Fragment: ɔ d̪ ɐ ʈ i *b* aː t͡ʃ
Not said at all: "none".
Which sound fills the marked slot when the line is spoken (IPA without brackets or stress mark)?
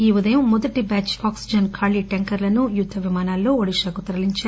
b